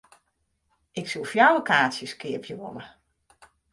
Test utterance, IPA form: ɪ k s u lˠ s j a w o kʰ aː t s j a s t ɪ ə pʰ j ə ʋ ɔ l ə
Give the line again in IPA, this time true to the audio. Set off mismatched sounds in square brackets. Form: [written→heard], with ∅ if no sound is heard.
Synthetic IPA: ɪ k s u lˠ [s→f] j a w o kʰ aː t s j [a→ə] s [t→k] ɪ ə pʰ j ə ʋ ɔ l ə